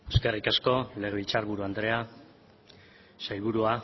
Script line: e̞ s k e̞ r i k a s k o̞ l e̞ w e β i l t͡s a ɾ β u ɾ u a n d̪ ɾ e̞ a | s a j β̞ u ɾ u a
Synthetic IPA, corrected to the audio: e̞ s k e̞ r i k a s k o̞ l e̞ ɣ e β i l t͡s a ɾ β u ɾ u a n d̪ ɾ e̞ a | s a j β̞ u ɾ u a